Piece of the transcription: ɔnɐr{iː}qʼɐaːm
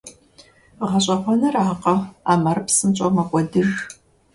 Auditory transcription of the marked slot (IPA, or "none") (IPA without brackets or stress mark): aː